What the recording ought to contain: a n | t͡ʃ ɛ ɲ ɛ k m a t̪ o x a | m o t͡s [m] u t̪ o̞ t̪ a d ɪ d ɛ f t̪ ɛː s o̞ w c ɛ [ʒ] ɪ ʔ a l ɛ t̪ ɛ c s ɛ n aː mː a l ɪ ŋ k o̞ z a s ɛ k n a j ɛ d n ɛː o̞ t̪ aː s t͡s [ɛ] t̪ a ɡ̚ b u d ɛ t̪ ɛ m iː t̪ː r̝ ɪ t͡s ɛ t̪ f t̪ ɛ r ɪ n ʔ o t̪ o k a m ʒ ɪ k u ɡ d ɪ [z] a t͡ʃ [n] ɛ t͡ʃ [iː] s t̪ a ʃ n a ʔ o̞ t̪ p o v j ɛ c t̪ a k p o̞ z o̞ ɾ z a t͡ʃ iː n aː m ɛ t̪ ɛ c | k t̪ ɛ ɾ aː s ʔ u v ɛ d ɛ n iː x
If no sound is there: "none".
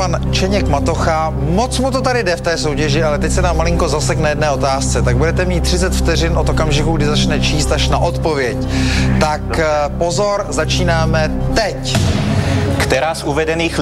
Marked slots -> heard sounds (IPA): m, ʒ, ɛ, z, n, iː

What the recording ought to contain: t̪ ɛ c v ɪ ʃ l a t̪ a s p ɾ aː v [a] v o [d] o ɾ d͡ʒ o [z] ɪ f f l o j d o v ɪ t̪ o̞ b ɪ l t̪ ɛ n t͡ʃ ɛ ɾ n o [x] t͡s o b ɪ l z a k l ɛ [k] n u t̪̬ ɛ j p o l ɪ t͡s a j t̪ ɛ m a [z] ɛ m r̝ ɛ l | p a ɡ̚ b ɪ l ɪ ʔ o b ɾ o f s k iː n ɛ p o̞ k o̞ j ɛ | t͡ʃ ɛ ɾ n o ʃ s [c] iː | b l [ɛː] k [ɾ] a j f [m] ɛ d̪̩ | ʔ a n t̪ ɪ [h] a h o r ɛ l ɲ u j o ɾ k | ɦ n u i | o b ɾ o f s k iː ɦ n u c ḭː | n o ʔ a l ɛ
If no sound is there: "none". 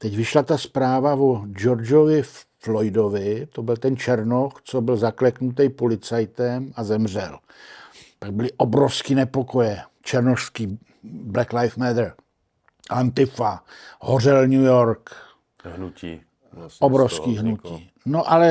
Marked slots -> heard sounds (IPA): a, d͡ʒ, v, x, k, z, k, ɛ, l, m, f

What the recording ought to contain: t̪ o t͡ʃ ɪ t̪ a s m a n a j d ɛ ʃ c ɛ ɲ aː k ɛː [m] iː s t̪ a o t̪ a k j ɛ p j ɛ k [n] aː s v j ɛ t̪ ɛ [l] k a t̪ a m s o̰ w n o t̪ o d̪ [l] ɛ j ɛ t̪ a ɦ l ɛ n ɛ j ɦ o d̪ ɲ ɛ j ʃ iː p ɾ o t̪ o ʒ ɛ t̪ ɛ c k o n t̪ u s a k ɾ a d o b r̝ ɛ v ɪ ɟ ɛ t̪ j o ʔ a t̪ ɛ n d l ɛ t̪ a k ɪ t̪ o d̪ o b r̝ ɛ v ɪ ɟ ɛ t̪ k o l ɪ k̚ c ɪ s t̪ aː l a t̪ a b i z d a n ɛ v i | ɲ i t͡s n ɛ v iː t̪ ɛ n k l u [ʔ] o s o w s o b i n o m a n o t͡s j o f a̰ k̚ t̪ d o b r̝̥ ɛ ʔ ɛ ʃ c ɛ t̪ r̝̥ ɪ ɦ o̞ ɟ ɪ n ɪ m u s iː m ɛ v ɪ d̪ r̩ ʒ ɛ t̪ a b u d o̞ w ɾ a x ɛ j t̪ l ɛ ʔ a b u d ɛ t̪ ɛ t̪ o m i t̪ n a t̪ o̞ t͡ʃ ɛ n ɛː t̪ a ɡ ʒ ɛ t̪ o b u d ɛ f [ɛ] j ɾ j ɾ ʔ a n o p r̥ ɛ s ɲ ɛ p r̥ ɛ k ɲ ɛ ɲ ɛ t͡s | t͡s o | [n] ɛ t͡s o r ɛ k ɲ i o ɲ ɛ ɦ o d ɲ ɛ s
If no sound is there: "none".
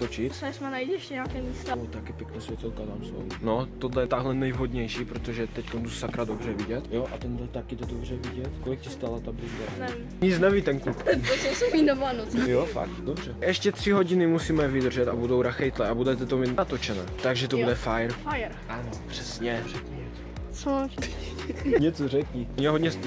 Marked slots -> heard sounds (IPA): m, n, l, l, p, a, ɲ

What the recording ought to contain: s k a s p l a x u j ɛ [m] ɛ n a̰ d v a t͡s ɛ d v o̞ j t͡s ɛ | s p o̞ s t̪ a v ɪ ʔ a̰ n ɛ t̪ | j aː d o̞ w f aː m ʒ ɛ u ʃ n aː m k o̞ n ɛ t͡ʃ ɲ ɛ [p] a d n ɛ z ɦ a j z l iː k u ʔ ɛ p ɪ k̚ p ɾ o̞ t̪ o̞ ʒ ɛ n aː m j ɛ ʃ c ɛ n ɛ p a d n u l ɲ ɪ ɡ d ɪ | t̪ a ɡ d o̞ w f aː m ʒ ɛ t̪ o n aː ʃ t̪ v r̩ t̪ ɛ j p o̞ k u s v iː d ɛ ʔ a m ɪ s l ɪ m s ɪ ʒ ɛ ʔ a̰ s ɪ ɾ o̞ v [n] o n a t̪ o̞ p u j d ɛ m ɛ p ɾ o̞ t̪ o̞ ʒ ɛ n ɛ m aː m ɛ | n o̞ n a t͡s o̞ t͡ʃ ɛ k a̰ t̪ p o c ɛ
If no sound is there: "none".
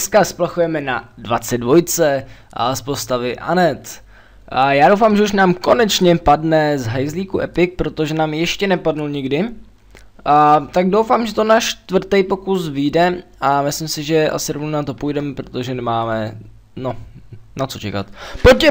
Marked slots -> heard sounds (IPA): m, p, n

